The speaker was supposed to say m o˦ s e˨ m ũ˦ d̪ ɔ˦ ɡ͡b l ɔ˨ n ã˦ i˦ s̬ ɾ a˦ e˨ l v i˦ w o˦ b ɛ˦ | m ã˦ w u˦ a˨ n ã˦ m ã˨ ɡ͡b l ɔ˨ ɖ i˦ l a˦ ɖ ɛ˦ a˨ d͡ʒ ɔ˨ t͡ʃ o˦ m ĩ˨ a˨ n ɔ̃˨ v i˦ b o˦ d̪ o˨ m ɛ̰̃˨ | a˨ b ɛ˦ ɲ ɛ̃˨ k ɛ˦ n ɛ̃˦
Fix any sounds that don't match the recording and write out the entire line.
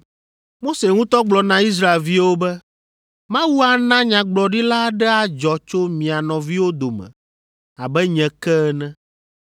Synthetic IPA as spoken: m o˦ s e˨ ŋ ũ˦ t̪ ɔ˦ ɡ͡b l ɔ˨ n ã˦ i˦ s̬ ɾ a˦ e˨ l v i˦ w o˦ b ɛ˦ | m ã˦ w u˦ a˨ n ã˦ ɲ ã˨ ɡ͡b l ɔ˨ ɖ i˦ l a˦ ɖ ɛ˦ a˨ d͡ʒ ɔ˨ t͡ʃ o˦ m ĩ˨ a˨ n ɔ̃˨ v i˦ w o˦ d̪ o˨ m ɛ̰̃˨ | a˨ b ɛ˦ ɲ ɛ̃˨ k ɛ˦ n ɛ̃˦